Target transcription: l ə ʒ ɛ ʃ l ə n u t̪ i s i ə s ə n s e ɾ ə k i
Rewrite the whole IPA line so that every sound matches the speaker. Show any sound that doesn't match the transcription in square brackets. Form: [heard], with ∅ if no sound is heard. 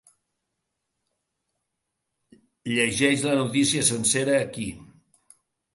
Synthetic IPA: [ʎ] ə ʒ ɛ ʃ l ə n u t̪ i s i ə s ə n s e ɾ [əː] k i